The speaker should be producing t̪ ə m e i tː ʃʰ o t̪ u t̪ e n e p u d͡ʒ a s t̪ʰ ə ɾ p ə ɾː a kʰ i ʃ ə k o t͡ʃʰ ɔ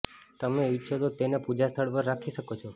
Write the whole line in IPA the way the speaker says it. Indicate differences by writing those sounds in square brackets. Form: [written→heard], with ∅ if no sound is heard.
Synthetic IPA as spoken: t̪ ə m e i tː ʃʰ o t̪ [u→o] t̪ e n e p u d͡ʒ a s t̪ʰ ə [ɾ→ɭ] p ə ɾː a kʰ i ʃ ə k o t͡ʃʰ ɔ